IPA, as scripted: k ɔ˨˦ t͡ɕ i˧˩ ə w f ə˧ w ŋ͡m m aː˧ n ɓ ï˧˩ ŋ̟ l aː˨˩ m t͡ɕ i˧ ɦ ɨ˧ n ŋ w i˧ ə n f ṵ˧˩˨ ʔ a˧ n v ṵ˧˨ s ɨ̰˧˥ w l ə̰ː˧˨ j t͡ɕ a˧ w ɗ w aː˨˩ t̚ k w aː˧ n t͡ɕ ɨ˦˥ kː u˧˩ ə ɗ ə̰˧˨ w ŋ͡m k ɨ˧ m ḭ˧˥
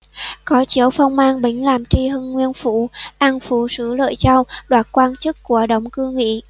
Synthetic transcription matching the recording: k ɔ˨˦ t͡ɕ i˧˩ ə w f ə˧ w ŋ͡m m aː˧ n ɓ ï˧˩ ŋ̟ l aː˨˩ m t͡ɕ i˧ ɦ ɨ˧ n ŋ w i˧ ə n f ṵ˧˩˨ ʔ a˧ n f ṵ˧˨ s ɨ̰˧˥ l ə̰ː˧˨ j t͡ɕ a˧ w ɗ w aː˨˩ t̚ k w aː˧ n t͡ɕ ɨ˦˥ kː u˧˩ ə ɗ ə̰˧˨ w ŋ͡m k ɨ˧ ŋ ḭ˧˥

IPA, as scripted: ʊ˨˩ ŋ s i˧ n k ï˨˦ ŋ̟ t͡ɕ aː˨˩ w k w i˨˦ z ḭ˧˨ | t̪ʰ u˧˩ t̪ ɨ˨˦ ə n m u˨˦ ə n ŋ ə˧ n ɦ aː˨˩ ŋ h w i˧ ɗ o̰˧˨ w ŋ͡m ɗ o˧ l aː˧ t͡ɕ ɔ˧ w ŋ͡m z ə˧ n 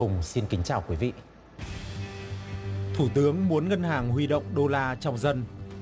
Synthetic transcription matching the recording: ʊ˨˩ ŋ͡m s i˧ n k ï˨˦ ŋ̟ t͡ɕ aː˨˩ w k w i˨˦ v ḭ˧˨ | t̪ʰ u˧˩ t̪ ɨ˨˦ ə ŋ m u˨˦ ə n ŋ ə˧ n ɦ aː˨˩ ŋ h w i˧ ɗ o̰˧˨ w ŋ͡m ɗ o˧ l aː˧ t͡ɕ ɔ˧ w ŋ͡m z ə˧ n

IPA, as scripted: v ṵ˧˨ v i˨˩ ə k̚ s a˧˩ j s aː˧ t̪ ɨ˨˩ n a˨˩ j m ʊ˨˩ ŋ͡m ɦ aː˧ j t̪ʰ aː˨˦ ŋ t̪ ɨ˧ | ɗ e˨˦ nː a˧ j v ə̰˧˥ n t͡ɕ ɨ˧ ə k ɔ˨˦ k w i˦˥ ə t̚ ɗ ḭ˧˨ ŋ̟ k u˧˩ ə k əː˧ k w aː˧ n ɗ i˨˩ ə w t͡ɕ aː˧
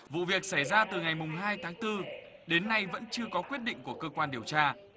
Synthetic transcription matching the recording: v ṵ˧˨ v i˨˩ ə k̚ s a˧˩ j z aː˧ t̪ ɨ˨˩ ŋ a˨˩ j m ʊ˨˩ ŋ͡m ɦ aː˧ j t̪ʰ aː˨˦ ŋ t̪ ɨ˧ | ɗ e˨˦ nː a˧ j v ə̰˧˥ n t͡ɕ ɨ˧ ə k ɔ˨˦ k w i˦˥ ə t̚ ɗ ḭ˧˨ ŋ̟ k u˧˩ ə k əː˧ k w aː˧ n ɗ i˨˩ ə w t͡ɕ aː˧

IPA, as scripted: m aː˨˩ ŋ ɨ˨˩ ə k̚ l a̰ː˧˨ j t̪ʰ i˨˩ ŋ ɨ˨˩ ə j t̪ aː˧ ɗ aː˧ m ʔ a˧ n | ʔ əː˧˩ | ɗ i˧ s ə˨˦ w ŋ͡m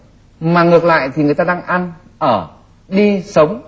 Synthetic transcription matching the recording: m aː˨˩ ŋ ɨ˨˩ ə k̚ l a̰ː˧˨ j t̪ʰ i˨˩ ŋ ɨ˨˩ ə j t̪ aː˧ ɗ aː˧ ŋ ʔ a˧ n | ʔ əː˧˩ | ɗ i˧ s ə˨˦ w ŋ͡m

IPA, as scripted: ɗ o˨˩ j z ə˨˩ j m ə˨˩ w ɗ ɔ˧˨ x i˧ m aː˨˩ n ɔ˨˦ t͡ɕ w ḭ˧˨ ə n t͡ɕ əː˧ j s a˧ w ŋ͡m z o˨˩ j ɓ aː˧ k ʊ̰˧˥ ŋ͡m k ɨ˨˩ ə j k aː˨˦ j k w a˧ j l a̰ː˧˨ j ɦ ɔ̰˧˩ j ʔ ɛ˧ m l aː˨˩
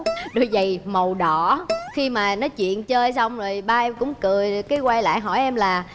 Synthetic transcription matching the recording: ɗ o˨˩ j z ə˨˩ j m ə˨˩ w ɗ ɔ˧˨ x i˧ m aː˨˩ n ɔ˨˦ t͡ɕ w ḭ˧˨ ə n t͡ɕ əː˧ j s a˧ w ŋ͡m z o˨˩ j ɓ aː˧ k ʊ̰˧˥ ŋ͡m k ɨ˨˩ ə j k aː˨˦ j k w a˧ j l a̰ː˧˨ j ɦ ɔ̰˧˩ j ʔ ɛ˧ m l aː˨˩

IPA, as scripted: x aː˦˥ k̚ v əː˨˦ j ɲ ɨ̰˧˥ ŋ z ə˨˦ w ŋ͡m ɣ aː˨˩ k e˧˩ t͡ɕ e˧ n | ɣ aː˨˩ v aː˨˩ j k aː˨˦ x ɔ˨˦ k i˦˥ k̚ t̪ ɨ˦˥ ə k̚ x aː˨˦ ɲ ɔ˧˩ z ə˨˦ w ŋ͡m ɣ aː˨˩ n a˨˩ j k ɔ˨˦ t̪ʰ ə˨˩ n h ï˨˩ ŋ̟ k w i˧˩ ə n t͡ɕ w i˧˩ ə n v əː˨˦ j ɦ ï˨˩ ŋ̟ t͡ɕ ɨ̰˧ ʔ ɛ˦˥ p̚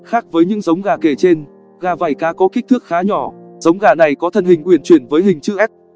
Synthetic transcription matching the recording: x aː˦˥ k̚ v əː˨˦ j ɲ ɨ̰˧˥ ŋ z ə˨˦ w ŋ͡m ɣ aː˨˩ k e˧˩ t͡ɕ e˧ n | ɣ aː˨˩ v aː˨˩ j k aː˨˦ k ɔ˨˦ k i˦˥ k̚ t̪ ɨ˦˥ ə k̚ x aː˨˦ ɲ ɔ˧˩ z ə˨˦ w ŋ͡m ɣ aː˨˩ n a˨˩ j k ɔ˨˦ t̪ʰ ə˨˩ n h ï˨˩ ŋ̟ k w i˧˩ ə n t͡ɕ w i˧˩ ə n v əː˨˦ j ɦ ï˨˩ ŋ̟ t͡ɕ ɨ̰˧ ʔ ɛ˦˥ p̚

